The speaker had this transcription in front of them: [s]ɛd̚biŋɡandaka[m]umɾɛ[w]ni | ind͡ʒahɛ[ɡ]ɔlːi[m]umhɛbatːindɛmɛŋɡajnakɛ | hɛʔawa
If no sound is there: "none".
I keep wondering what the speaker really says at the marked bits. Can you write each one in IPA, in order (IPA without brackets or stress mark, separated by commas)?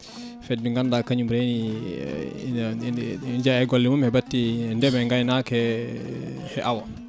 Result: f, ɲ, none, ɡ, m